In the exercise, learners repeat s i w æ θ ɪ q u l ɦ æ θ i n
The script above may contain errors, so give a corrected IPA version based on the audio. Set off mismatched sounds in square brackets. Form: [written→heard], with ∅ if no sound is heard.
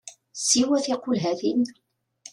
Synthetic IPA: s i w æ θ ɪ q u l ɦ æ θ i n